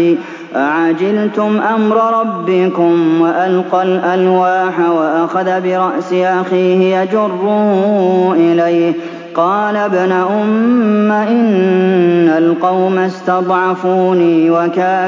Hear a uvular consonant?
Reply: yes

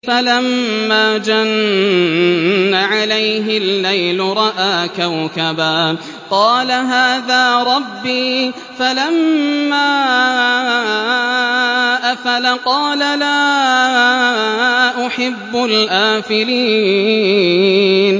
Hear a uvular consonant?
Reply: yes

